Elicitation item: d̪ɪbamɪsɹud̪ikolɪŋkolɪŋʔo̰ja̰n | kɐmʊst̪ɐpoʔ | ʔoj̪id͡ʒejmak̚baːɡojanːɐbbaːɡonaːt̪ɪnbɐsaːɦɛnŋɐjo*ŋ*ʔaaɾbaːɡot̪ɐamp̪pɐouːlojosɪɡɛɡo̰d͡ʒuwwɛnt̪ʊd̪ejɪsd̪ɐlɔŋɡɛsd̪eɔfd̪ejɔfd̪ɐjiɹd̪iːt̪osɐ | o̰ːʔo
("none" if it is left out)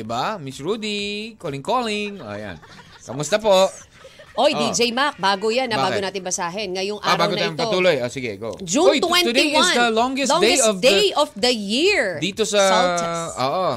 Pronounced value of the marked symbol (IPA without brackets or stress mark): ŋ